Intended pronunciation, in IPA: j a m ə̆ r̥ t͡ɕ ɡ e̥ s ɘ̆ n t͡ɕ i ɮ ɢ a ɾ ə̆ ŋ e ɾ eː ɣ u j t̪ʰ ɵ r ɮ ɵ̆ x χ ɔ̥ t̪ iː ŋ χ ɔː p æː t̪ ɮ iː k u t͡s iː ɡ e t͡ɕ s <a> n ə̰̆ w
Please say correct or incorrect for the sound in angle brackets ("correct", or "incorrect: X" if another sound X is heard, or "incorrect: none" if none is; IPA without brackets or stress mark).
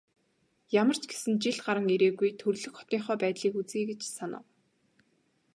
correct